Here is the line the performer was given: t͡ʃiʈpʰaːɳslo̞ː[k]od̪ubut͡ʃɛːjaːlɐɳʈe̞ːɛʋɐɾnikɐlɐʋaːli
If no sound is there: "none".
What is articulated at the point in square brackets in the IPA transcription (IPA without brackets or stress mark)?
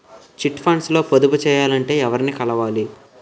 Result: p